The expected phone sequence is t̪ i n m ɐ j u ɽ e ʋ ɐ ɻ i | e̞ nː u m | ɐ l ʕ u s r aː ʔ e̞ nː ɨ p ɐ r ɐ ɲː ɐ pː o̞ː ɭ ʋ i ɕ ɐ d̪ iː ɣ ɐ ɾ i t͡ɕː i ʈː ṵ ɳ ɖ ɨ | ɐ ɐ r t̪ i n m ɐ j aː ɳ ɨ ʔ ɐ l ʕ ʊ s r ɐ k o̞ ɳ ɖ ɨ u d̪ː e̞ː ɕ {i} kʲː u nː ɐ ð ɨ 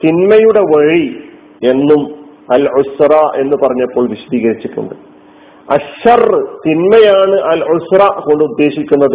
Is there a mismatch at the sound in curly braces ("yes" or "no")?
no